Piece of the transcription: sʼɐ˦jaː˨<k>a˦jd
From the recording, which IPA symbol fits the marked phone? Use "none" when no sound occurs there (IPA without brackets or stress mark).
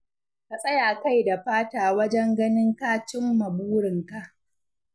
k